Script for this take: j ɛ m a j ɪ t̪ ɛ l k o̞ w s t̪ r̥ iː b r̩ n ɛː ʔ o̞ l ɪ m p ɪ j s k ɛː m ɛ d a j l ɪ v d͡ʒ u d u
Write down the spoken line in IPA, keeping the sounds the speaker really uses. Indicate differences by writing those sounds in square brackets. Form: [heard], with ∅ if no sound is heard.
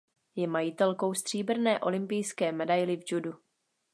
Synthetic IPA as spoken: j ɛ m a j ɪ t̪ ɛ l k o̞ w s t̪ r̥ iː b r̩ n ɛː ʔ o̞ l ɪ m p ɪ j s k ɛː m ɛ d a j l ɪ v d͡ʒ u d u